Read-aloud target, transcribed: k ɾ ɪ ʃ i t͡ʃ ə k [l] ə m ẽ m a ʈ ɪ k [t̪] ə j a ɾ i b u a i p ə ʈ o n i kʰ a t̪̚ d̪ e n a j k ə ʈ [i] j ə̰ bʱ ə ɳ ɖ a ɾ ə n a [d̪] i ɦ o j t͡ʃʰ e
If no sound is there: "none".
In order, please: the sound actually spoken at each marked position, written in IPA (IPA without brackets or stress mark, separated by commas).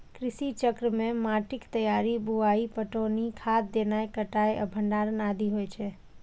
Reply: ɾ, t̪, a, d̪